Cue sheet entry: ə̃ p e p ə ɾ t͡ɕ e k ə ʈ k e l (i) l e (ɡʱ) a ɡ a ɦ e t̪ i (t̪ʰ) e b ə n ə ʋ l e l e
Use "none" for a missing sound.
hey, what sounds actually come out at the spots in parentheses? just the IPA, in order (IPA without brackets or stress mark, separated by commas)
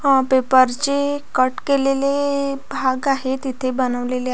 e, bʱ, t̪ʰ